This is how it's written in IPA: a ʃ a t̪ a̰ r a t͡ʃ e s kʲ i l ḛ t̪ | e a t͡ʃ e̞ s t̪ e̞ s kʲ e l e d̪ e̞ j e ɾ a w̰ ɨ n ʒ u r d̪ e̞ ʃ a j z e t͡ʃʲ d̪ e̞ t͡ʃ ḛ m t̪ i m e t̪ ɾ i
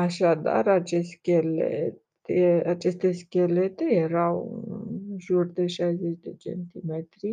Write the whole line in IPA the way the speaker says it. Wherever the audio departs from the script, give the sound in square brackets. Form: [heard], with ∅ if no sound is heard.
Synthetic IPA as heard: a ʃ a [d̪] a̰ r a t͡ʃ e s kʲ [e] l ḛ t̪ | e a t͡ʃ e̞ s t̪ e̞ s kʲ e l e [t̪] e̞ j e ɾ a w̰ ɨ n ʒ u r d̪ e̞ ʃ a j z e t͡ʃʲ d̪ e̞ t͡ʃ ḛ [n] t̪ i m e t̪ ɾ i